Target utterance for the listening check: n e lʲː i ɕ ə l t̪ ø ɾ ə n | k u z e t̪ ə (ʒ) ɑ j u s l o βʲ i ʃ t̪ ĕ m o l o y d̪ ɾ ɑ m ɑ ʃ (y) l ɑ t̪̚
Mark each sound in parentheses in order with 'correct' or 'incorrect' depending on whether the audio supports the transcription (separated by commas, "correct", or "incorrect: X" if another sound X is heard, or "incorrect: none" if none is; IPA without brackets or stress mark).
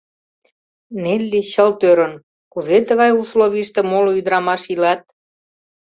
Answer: incorrect: ɣ, incorrect: i